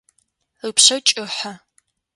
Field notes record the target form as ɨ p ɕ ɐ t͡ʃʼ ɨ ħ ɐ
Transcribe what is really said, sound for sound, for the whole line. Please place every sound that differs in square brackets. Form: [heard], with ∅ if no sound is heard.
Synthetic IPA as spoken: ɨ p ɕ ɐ t͡ʃʼ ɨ ħ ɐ